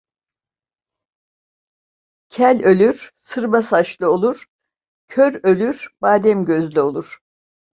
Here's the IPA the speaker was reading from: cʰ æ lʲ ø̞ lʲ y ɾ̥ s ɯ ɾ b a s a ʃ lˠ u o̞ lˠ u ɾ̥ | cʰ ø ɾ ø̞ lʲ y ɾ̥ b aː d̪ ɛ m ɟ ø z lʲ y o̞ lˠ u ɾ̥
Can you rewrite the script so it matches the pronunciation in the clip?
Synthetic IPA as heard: cʰ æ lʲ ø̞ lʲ y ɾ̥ s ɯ ɾ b a s a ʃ lˠ ɯ o̞ lˠ u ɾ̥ | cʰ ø ɾ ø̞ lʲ y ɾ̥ b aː d̪ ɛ m ɟ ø z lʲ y o̞ lˠ u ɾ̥

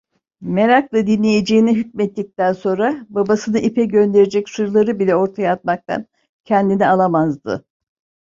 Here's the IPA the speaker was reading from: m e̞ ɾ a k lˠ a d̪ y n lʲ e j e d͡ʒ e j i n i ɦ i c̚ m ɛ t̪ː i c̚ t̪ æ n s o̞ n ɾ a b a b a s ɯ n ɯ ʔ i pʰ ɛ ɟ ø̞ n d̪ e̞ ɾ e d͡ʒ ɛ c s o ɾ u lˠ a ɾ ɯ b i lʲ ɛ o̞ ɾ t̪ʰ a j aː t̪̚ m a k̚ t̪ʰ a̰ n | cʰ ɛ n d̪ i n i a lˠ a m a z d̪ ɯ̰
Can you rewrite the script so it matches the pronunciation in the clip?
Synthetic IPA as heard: m e̞ ɾ a k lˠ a d̪ i n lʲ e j e d͡ʒ e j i n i ɦ y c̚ m ɛ t̪ː i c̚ t̪ æ n s o̞ n ɾ a b a b a s ɯ n ɯ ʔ i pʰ ɛ ɟ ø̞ n d̪ e̞ ɾ e d͡ʒ ɛ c s u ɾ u lˠ a ɾ ɯ b i lʲ ɛ o̞ ɾ t̪ʰ a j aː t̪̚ m a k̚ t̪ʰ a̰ n | cʰ ɛ n d̪ i n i a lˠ a m a z d̪ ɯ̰

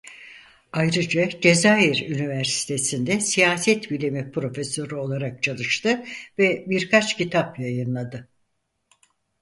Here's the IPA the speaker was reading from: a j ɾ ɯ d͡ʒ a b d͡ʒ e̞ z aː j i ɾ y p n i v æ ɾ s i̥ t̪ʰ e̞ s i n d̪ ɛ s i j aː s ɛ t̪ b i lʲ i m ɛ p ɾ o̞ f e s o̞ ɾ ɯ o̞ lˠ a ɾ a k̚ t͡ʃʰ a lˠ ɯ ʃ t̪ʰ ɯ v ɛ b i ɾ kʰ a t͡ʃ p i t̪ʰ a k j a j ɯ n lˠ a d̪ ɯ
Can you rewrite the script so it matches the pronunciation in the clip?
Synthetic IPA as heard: a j ɾ ɯ d͡ʒ a d͡ʒ e̞ z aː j i ɾ y n i v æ ɾ s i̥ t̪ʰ e̞ s i n d̪ ɛ s i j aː s ɛ t̪ b i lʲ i m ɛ p ɾ o̞ f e s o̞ ɾ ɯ o̞ lˠ a ɾ a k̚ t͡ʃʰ a lˠ ɯ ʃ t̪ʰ ɯ v ɛ b i ɾ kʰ a t͡ʃ c i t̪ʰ a p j a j ɯ n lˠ a d̪ ɯ

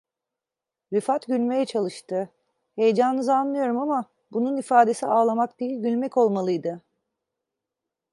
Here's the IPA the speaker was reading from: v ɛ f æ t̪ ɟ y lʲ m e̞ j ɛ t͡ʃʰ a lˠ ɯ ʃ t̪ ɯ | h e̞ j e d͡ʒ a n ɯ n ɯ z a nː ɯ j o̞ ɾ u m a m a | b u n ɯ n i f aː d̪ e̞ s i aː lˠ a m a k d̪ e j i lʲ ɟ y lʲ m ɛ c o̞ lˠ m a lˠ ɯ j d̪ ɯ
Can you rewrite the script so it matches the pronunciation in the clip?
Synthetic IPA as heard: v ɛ f a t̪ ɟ y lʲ m e̞ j ɛ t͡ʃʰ a lˠ ɯ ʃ t̪ ɯ | h e̞ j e d͡ʒ a n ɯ n ɯ z a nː ɯ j o̞ ɾ u m a m a | b u n u n i f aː d̪ e̞ s i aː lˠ a m a k d̪ e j i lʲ ɟ y lʲ m ɛ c o̞ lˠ m a lˠ ɯ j d̪ ɯ

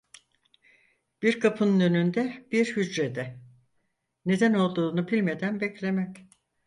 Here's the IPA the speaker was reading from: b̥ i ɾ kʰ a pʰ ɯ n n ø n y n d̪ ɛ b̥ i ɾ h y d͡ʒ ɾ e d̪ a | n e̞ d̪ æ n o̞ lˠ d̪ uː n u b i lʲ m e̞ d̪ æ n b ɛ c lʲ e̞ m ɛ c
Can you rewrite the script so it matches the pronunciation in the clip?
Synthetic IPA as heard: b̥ i ɾ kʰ a pʰ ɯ n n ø n y n d̪ ɛ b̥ i ɾ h y d͡ʒ ɾ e d̪ ɛ | n e̞ d̪ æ n o̞ lˠ d̪ uː n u b i lʲ m e̞ d̪ æ n b ɛ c lʲ e̞ m ɛ c

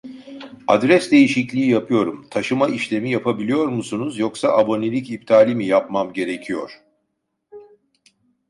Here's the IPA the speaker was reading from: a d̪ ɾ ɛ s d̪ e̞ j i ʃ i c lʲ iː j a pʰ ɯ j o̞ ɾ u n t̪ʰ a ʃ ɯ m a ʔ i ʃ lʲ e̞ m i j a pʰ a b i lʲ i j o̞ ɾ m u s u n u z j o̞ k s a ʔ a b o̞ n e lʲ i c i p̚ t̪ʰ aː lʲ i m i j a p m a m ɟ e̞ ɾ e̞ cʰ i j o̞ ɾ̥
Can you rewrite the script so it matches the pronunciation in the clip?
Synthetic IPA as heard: a d̪ ɾ ɛ s d̪ e̞ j i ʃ i c lʲ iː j a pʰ ɯ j o̞ ɾ u m t̪ʰ a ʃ ɯ m a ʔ i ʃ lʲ e̞ m i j a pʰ a b i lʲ i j o̞ ɾ m u s u n u z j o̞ k s a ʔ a b o̞ n e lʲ i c i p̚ t̪ʰ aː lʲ i m i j a p m a m ɟ e̞ ɾ e̞ cʰ i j o̞ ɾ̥

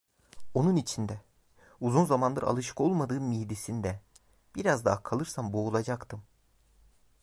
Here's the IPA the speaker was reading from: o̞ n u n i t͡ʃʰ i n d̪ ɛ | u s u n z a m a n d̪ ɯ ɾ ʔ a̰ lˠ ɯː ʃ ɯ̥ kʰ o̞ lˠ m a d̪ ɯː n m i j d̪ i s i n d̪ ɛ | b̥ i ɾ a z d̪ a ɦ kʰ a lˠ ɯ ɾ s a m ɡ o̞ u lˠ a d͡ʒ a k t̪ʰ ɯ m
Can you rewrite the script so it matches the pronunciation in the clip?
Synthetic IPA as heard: o̞ n u n i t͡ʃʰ i n d̪ ɛ | u z u n z a m a n d̪ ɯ ɾ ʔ a̰ lˠ ɯ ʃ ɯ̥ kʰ o̞ lˠ m a d̪ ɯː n m i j d̪ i s i n d̪ ɛ | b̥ i ɾ a z d̪ a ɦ kʰ a lˠ ɯ ɾ s a m b o̞ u lˠ a d͡ʒ a k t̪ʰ ɯ m

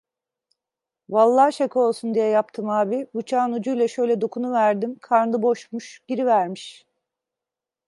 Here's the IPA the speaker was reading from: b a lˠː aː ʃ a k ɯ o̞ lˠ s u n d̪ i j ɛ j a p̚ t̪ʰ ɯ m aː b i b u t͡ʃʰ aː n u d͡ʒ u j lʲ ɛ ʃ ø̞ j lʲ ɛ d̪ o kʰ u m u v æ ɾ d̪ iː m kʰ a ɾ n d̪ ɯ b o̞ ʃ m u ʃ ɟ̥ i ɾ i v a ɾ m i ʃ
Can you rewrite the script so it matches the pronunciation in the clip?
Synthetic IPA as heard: v a lˠː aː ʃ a k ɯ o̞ lˠ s u n d̪ i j ɛ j a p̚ t̪ʰ ɯ m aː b i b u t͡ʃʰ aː n u d͡ʒ u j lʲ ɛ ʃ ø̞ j lʲ ɛ d̪ o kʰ u n u v æ ɾ d̪ i m kʰ a ɾ n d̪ ɯ b o̞ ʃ m u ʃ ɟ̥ i ɾ i v æ ɾ m i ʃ

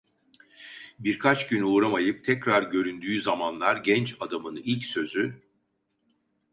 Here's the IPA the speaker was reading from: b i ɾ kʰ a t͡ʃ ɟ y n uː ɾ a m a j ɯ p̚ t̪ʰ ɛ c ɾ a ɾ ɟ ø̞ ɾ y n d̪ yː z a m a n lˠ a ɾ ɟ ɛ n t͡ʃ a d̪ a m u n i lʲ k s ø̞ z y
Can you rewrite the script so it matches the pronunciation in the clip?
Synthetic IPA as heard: b i ɾ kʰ a t͡ʃ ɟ y n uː ɾ a m a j ɯ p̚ t̪ʰ ɛ c ɾ a ɾ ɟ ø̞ ɾ y n d̪ yː z a m a n lˠ a ɾ ɟ ɛ n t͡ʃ a d̪ a m ɯ n i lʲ c s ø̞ z y

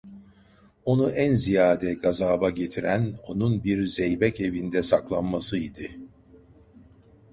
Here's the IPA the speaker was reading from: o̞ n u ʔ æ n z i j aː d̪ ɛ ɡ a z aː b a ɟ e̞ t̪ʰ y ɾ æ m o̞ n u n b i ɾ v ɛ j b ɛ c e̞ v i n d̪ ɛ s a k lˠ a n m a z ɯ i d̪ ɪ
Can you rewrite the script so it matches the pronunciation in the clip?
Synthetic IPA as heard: o̞ n u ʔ æ n z i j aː d̪ ɛ ɡ a z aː b a ɟ e̞ t̪ʰ i ɾ æ n o̞ n u n b i ɾ z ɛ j b ɛ c e̞ v i n d̪ ɛ s a k lˠ a n m a s ɯ i d̪ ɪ

